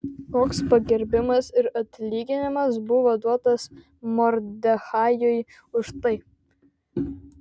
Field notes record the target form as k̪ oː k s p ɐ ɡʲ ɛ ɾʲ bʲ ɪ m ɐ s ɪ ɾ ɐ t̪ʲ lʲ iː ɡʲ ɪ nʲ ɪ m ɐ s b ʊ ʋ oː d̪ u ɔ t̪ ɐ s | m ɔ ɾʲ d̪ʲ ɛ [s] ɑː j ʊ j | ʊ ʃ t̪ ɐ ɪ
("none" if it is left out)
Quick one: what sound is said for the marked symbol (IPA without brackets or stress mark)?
x